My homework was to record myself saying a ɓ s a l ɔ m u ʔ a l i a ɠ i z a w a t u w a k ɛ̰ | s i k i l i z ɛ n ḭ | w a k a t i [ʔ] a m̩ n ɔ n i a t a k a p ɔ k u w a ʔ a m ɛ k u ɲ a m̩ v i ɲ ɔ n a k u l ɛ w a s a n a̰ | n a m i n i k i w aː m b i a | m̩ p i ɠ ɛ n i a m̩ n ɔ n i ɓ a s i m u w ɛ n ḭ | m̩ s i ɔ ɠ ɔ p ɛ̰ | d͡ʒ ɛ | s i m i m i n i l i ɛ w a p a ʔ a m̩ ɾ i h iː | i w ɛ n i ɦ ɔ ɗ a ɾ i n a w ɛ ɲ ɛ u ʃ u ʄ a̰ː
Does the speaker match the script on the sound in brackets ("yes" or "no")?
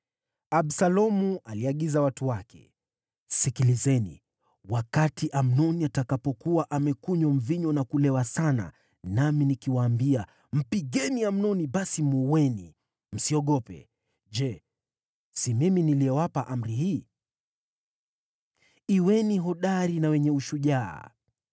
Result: yes